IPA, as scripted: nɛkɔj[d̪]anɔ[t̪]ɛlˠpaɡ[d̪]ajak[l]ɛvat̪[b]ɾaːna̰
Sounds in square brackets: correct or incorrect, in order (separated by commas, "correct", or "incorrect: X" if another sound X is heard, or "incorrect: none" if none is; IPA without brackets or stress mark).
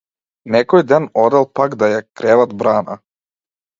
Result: correct, incorrect: d̪, correct, incorrect: ɾ, correct